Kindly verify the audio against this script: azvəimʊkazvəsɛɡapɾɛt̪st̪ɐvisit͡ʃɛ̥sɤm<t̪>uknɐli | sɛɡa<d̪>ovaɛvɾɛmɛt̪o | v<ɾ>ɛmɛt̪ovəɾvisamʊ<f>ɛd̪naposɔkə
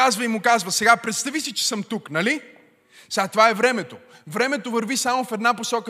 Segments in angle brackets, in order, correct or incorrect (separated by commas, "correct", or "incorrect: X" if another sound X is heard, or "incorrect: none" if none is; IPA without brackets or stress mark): correct, incorrect: t̪, correct, correct